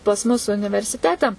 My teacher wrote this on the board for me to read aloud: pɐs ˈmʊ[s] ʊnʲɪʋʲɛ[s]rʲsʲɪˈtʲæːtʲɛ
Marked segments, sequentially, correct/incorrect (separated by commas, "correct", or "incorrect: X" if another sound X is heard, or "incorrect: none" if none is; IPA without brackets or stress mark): correct, incorrect: none